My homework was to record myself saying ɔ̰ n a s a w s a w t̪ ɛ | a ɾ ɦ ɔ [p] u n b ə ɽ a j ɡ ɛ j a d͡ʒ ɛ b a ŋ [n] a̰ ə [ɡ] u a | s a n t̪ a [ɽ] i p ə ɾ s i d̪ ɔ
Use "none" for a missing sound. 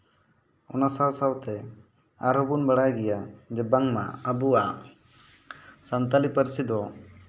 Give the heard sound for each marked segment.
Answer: b, m, b, l

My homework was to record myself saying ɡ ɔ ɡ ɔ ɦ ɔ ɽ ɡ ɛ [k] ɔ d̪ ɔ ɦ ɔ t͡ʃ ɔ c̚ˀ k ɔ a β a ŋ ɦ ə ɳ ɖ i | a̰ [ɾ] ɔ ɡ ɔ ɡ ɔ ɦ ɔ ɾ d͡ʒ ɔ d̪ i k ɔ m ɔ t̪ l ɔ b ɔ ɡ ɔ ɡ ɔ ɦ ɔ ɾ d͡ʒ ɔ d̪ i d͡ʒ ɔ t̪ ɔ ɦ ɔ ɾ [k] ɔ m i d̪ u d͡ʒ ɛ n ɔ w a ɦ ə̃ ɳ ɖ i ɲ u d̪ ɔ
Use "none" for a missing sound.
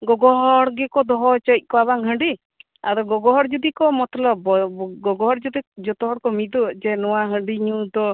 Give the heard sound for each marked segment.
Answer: k, ɾ, k

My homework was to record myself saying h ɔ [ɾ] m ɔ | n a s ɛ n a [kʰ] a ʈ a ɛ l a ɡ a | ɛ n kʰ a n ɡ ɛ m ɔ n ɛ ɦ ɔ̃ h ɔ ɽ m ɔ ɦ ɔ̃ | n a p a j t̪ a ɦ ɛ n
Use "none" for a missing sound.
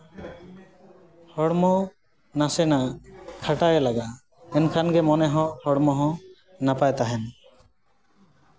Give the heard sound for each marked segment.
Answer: ɽ, kʰ

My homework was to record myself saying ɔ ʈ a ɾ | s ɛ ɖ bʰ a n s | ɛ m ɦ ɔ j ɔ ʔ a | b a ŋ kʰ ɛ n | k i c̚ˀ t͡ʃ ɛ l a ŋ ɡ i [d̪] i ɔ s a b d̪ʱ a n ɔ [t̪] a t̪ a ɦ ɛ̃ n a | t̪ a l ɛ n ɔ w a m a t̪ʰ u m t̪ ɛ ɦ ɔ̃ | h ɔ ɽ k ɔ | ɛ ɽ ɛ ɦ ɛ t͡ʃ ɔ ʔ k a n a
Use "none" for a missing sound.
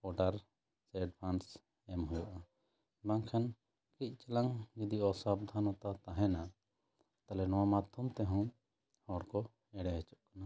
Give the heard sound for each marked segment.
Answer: d̪, t̪

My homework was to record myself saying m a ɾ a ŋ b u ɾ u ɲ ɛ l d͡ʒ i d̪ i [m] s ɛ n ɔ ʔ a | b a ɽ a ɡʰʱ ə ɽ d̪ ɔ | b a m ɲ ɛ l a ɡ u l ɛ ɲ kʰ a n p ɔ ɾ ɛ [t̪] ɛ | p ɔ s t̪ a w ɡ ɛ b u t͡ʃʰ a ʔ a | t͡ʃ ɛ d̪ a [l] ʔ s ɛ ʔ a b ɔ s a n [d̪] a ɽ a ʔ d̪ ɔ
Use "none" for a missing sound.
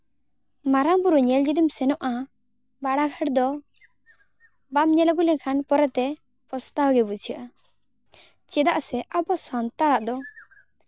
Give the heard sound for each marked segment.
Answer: m, t̪, none, t̪

